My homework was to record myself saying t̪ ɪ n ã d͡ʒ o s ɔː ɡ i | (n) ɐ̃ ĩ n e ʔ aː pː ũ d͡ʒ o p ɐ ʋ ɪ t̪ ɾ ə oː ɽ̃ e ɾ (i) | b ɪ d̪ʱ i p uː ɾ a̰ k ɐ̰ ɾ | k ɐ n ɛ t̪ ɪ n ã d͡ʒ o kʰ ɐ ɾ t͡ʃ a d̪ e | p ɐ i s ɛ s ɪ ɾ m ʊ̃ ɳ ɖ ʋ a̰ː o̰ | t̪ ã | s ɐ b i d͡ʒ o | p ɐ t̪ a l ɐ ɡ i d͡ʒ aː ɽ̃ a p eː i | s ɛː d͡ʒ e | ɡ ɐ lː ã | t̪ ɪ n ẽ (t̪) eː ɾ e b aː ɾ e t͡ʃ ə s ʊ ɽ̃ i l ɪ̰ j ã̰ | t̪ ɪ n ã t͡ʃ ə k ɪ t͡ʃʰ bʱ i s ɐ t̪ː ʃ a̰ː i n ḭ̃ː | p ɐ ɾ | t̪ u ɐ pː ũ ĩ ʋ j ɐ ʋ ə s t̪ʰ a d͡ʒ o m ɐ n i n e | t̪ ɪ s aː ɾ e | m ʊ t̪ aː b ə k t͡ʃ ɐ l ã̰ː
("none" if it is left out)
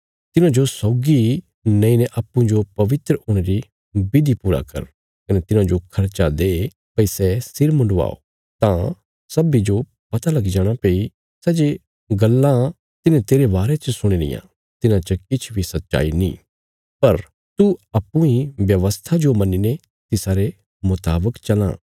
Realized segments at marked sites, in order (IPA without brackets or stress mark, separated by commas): n, i, t̪